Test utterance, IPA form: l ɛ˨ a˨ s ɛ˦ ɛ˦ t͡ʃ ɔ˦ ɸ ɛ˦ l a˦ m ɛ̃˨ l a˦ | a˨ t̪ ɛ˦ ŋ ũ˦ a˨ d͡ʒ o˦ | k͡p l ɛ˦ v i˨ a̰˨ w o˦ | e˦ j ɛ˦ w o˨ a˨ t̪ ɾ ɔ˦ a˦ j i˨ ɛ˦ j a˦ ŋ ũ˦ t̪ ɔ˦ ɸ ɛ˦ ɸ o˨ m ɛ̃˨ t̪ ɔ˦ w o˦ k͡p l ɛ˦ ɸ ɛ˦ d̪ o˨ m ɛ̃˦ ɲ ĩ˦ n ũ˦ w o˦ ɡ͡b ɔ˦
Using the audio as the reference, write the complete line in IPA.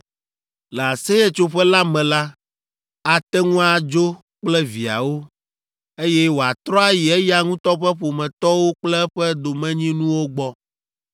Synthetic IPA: l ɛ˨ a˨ s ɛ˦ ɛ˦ t͡ʃ o˦ ɸ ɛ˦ l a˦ m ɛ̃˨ l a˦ | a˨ t̪ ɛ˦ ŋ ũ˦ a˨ d͡ʒ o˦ | k͡p l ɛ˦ v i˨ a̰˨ w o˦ | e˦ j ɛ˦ w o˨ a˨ t̪ ɾ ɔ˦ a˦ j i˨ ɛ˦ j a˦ ŋ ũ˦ t̪ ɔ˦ ɸ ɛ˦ ɸ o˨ m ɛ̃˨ t̪ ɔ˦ w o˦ k͡p l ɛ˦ ɸ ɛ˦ d̪ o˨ m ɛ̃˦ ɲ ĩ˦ n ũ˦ w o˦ ɡ͡b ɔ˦